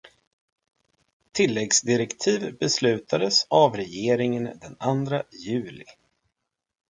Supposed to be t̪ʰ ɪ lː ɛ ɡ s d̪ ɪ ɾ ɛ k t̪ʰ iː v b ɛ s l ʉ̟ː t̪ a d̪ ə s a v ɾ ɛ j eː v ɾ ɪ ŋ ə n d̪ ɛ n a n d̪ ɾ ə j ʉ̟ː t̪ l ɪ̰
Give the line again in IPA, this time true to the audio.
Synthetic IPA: t̪ʰ ɪ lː ɛ ɡ s d̪ ɪ ɾ ɛ k t̪ʰ iː v b ɛ s l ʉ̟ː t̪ a d̪ ə s a v ɾ ɛ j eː ɾ ɪ ŋ ə n d̪ ɛ n a n d̪ ɾ a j ʉ̟ː l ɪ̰